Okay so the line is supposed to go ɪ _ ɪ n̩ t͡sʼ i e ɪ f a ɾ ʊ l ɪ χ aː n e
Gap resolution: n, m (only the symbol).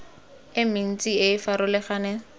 m